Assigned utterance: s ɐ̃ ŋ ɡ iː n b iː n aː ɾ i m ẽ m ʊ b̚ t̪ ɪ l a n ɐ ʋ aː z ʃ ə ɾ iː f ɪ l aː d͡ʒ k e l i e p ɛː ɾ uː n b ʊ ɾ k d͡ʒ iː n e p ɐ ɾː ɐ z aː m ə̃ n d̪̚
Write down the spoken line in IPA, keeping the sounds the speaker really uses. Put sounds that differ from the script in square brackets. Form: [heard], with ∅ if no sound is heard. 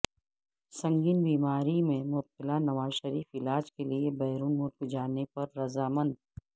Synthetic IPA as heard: s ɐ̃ ŋ ɡ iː n b iː [m] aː ɾ i m ẽ m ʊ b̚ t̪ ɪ l a n ɐ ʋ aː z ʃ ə ɾ iː f ɪ l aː d͡ʒ k e l i e [b] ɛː ɾ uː n [m] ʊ ɾ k d͡ʒ [aː] n e p ɐ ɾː ɐ z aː m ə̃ n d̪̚